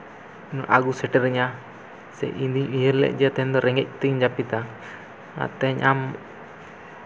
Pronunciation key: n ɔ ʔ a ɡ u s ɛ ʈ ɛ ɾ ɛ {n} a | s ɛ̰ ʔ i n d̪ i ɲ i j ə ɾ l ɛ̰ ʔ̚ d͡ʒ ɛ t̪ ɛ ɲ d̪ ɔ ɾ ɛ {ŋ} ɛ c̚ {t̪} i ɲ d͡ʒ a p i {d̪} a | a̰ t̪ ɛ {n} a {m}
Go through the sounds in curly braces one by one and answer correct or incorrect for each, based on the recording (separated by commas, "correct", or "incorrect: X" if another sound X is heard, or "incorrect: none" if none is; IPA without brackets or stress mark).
incorrect: ɲ, correct, correct, incorrect: t̪, incorrect: ɲ, correct